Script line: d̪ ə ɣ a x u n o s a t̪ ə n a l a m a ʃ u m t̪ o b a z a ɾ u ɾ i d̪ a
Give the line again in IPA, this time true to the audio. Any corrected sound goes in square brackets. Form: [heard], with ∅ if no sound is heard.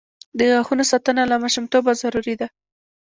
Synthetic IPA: d̪ ə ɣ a x u n o s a t̪ ə n a l a m a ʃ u m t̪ o b a z a ɾ u ɾ i d̪ a

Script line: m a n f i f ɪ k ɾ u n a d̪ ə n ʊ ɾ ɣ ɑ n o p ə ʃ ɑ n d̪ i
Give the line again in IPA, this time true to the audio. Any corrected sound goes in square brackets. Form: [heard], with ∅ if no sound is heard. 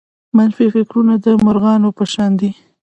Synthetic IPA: m a n f i f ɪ k ɾ u n a d̪ ə [m] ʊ ɾ ɣ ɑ n o p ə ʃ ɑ n d̪ i

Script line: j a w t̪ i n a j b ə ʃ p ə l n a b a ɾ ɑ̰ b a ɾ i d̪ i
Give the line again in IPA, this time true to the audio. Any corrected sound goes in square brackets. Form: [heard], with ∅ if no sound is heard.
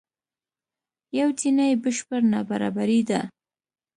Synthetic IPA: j a w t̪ i n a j b ə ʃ p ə [ɾ] n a b a ɾ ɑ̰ b a ɾ i d̪ [a]

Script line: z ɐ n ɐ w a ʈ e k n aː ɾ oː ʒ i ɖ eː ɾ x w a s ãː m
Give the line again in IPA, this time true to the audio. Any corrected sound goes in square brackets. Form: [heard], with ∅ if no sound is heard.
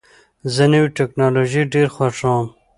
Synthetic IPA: z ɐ n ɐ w [i] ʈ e k n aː [l] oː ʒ i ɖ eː ɾ x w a [ʂ] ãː m

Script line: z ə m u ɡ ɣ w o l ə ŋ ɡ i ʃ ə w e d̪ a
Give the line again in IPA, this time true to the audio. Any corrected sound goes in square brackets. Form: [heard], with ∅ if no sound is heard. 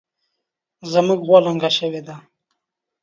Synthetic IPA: z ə m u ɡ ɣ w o l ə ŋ ɡ [a] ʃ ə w e d̪ a

